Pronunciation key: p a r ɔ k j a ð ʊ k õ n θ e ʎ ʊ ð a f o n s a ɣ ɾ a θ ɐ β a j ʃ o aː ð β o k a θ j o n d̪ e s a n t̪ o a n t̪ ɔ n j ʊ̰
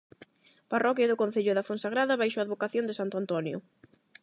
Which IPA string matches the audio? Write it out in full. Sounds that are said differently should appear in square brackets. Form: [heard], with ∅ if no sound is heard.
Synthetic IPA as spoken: p a r ɔ k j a ð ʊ k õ n θ e ʎ ʊ ð a f o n s a ɣ ɾ a [ð] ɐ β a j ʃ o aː ð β o k a θ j o n d̪ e s a n t̪ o a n t̪ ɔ n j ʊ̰